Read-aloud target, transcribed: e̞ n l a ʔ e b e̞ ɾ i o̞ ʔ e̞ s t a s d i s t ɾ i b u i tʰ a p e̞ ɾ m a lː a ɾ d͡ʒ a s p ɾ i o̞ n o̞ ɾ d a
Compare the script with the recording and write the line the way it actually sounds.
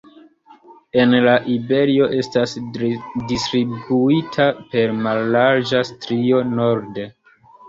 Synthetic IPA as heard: e̞ n l a ʔ i b e̞ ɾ i o̞ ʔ e̞ s t a s d i s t ɾ i b u i tʰ a p e̞ ɾ m a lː a ɾ d͡ʒ a s t ɾ i o̞ n o̞ ɾ d e